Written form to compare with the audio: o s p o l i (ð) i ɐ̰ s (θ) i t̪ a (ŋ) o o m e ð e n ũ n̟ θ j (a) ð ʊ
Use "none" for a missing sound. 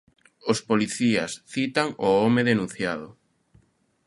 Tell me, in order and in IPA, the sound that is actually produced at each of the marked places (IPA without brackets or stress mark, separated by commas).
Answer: θ, θ, ŋ, a